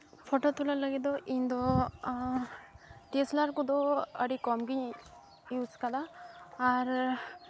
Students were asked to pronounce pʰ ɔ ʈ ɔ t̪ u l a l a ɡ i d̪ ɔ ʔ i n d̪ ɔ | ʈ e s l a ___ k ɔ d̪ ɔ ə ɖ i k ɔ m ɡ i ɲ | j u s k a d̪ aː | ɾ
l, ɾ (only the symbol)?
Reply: ɾ